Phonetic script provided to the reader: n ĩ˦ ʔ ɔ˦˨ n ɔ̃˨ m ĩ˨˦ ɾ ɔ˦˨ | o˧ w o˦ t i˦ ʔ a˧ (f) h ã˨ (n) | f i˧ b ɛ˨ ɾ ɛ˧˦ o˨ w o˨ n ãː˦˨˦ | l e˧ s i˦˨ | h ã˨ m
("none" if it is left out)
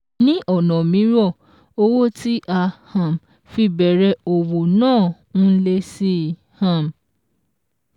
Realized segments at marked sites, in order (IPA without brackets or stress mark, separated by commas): none, m